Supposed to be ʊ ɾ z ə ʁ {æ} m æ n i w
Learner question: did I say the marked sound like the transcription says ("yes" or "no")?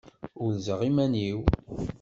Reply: no